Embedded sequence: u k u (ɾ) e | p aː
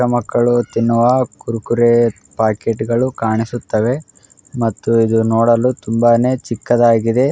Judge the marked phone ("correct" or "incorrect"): correct